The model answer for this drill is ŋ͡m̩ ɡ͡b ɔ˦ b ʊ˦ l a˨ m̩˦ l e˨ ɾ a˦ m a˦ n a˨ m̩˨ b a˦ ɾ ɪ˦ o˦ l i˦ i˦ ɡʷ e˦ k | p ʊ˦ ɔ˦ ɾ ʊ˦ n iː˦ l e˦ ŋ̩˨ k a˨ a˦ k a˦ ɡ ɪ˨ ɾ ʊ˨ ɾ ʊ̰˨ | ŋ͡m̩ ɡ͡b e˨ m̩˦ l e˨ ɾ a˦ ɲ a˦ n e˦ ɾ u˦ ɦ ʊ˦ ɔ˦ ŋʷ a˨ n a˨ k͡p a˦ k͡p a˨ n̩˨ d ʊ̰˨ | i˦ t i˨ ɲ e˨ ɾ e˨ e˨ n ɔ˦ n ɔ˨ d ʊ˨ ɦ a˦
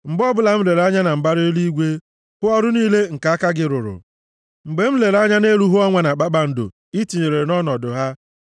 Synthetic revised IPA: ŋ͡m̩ ɡ͡b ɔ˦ b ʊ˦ l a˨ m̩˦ l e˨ ɾ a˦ ɲ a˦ n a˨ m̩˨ b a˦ ɾ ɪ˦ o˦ l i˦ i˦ ɡʷ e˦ | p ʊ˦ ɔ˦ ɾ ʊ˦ n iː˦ l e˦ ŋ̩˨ k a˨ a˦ k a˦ ɡ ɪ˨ ɾ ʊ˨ ɾ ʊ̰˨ | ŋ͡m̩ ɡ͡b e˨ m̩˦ l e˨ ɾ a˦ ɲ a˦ n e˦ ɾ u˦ ɦ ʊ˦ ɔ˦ ŋʷ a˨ n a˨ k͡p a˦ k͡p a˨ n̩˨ d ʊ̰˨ | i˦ t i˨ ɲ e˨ ɾ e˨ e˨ n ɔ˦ n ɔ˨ d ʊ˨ ɦ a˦

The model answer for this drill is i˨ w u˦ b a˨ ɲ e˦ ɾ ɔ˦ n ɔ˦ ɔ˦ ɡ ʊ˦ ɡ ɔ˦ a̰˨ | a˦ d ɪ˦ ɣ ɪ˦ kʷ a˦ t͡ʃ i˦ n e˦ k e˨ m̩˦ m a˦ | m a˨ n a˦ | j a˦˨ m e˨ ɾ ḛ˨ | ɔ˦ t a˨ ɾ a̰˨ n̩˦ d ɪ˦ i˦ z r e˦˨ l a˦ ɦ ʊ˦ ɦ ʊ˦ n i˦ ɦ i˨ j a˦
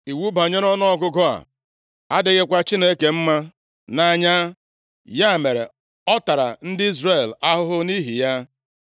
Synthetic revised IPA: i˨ w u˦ b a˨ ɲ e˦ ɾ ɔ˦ n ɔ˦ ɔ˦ ɡ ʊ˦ ɡ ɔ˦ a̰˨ | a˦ d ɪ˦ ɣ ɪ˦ kʷ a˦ t͡ʃ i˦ n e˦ k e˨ m̩˦ m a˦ | n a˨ ɲ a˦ | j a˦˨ m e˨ ɾ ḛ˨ | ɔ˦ t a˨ ɾ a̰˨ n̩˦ d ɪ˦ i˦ z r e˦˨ l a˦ ɦ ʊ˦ ɦ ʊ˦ n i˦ ɦ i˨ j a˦

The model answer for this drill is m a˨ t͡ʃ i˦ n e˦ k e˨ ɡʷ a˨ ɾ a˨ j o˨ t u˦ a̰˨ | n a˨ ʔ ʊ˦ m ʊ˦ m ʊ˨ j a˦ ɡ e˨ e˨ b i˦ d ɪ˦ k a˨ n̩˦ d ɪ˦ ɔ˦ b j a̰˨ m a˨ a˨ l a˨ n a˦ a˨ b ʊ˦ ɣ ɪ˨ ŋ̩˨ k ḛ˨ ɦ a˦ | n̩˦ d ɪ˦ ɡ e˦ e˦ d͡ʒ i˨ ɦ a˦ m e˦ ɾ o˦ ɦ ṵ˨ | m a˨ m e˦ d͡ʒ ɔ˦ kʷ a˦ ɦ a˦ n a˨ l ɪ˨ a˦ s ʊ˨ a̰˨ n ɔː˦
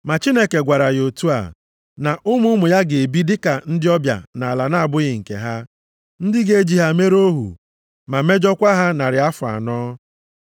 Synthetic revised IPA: m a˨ t͡ʃ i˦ n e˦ k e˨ ɡʷ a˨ ɾ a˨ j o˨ t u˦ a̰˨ | n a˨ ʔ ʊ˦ m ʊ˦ m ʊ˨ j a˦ ɡ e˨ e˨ b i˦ d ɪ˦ k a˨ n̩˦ d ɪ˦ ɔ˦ b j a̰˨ n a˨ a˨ l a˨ n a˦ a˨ b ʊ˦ ɣ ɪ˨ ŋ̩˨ k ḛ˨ ɦ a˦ | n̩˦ d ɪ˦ ɡ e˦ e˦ d͡ʒ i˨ ɦ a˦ m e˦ ɾ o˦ ɦ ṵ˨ | m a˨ m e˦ d͡ʒ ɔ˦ kʷ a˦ ɦ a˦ n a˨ ɾ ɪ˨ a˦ f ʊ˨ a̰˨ n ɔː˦

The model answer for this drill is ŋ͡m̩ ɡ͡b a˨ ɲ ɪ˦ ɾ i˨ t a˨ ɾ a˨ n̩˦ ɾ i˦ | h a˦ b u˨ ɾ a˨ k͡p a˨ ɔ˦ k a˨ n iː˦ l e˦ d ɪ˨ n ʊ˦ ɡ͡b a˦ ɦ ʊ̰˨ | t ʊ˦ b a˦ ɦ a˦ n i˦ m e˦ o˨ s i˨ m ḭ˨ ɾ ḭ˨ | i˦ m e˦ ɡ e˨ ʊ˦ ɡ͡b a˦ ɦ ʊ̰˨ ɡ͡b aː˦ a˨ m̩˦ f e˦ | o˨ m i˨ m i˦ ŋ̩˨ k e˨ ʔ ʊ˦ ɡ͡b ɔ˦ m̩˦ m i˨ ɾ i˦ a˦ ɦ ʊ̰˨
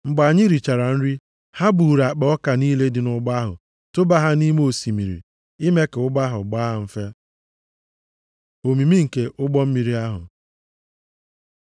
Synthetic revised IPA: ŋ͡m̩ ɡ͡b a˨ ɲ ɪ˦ ɾ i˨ t͡ʃ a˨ ɾ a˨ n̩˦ ɾ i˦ | h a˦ b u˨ ɾ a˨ k͡p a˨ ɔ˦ k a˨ n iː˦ l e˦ d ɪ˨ n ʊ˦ ɡ͡b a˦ ɦ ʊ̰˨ | t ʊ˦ b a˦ ɦ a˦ n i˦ m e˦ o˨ s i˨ m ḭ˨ ɾ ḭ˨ | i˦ m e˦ k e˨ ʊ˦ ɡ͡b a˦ ɦ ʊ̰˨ ɡ͡b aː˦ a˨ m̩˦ f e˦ | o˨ m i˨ m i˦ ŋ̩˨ k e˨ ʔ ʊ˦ ɡ͡b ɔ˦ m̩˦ m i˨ ɾ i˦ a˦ ɦ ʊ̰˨

